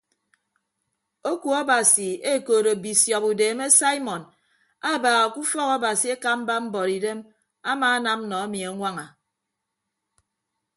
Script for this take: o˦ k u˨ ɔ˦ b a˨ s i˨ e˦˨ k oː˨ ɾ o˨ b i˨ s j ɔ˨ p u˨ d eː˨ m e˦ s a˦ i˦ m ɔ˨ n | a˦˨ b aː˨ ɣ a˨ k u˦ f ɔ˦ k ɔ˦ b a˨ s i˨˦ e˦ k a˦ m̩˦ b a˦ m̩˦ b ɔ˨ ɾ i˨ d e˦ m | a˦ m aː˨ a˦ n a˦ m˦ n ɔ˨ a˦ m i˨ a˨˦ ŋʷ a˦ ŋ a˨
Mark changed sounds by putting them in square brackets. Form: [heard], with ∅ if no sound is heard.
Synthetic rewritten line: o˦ k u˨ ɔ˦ b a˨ s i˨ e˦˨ k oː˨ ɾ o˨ b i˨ s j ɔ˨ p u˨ d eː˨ m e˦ s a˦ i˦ m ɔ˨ n | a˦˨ b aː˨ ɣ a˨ k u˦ f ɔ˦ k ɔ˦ b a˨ s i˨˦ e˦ k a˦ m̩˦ b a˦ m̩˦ b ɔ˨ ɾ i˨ d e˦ m | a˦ m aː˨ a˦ n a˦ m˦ n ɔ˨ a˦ m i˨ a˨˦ ŋʷ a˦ ŋ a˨